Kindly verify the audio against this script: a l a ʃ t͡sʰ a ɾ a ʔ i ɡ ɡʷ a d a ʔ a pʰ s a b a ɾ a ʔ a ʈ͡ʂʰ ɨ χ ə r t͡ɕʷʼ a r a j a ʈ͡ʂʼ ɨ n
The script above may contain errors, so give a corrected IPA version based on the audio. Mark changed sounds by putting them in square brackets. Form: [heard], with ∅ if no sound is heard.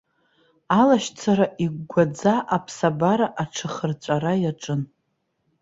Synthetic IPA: a l a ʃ t͡sʰ a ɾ a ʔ i ɡ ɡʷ a [d͡z] a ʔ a pʰ s a b a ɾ a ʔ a ʈ͡ʂʰ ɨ χ ə r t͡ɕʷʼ a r a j a ʈ͡ʂʼ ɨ n